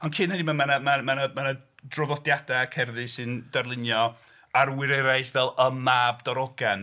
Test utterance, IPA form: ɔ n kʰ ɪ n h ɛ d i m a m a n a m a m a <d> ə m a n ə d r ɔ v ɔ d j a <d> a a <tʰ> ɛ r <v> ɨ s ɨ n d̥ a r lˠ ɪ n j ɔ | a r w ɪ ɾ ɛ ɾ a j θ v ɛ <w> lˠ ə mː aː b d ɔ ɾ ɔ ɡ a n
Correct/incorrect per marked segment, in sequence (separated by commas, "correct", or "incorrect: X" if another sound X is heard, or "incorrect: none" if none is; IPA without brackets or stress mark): incorrect: n, correct, incorrect: kʰ, incorrect: ð, incorrect: none